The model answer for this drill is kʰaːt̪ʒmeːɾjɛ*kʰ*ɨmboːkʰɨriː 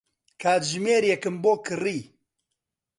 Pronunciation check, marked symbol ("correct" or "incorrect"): incorrect